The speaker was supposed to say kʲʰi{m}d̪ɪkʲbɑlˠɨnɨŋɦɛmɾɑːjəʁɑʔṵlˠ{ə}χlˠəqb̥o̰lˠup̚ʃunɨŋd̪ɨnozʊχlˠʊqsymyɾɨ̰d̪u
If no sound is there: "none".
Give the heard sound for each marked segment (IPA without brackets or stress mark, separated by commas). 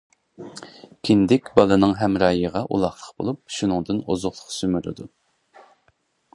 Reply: n, ɑ